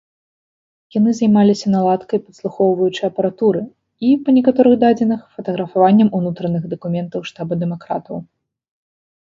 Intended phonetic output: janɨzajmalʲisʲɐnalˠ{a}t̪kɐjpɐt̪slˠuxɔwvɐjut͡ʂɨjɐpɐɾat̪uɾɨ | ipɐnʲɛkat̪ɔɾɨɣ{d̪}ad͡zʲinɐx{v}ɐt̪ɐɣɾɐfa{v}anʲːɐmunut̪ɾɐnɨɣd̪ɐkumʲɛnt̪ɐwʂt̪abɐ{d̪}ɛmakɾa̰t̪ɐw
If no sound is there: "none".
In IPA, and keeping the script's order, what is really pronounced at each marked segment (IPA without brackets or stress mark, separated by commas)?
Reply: a, d̪, f, v, d̪